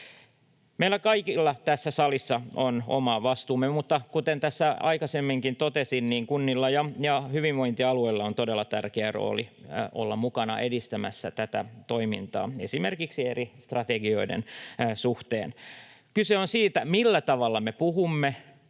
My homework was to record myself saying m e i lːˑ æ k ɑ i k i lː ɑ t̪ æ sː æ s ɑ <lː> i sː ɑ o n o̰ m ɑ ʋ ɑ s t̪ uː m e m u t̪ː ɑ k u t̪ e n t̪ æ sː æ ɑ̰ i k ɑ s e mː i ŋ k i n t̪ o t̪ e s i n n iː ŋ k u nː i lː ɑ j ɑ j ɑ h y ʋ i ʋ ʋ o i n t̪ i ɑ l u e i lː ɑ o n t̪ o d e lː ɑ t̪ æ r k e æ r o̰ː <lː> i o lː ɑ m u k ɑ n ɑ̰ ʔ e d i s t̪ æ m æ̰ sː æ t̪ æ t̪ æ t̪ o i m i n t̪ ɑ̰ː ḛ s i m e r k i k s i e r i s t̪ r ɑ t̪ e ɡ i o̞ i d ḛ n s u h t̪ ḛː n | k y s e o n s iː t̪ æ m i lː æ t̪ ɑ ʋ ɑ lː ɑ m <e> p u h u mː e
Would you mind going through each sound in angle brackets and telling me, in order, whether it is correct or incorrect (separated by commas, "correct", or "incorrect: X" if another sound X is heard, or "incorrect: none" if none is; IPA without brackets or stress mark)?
incorrect: l, incorrect: l, correct